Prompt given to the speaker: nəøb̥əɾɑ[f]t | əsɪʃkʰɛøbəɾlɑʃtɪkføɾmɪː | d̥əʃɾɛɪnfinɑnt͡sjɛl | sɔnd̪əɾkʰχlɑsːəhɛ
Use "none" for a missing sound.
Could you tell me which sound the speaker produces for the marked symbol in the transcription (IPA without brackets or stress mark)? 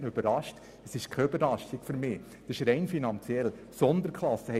ʃ